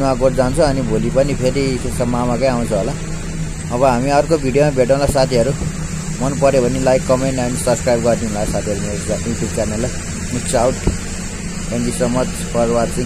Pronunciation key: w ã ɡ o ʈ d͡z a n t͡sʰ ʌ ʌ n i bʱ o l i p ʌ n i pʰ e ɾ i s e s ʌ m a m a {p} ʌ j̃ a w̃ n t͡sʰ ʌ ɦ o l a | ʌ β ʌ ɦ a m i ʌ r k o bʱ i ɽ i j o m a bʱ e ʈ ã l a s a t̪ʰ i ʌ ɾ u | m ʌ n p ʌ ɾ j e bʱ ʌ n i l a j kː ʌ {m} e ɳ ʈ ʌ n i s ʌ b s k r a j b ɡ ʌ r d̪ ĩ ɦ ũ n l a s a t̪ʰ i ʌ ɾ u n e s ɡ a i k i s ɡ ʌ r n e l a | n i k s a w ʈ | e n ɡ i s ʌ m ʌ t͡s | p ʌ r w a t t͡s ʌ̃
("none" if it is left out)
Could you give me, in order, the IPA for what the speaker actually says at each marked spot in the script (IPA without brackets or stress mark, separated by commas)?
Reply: k, m